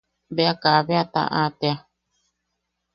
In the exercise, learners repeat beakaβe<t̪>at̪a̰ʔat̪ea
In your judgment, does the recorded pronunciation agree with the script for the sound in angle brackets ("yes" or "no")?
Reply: no